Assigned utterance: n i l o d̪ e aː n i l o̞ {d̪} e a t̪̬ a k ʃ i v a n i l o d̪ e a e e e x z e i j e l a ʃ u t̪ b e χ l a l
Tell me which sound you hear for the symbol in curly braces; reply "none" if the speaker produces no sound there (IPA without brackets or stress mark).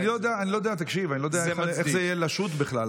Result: d̪